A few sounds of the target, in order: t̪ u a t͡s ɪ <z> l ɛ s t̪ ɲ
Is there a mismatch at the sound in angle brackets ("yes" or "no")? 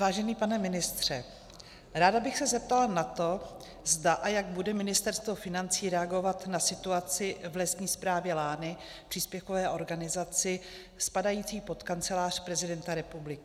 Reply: yes